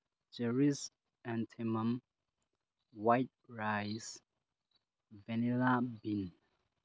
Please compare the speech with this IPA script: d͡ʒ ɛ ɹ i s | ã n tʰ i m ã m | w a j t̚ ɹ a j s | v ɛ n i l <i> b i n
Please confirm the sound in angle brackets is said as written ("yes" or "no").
no